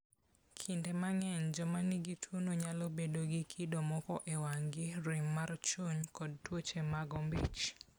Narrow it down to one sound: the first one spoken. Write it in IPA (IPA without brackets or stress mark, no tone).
kʰ